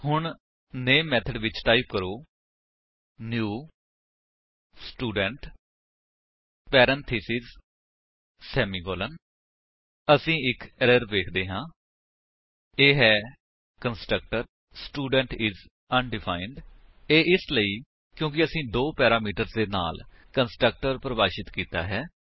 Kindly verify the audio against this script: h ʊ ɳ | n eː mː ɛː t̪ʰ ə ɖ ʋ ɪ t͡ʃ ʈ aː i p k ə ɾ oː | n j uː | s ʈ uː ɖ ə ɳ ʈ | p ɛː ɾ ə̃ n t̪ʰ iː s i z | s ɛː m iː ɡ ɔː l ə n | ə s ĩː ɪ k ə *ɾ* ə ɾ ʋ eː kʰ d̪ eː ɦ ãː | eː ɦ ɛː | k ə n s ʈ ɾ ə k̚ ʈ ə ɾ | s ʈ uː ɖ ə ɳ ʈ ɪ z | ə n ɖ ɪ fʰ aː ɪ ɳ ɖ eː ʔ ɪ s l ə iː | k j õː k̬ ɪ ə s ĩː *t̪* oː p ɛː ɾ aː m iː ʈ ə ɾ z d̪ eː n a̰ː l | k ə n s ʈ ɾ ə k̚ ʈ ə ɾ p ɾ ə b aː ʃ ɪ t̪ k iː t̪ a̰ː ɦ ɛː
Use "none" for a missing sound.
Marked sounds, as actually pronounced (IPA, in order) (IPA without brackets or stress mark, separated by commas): ɾ, d̪